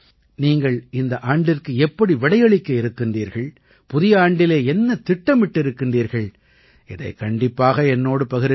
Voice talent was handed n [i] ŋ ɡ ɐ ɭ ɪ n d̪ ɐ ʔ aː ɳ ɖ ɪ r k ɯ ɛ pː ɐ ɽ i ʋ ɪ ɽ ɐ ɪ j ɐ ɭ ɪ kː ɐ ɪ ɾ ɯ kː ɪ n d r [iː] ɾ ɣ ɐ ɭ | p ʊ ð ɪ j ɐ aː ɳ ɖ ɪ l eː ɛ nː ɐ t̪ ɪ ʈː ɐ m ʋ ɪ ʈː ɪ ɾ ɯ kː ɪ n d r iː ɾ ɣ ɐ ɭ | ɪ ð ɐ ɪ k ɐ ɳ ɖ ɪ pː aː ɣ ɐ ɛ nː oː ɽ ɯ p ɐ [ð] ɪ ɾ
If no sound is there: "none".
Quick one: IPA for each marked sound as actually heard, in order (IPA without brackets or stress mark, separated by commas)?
iː, iː, ɣ